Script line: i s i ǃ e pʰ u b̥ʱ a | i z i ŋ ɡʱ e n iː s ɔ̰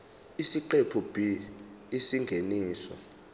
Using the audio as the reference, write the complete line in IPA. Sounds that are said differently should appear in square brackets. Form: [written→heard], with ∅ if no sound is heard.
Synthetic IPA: i s i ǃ e pʰ u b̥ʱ [a→i] | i [z→s] i ŋ ɡʱ e n iː s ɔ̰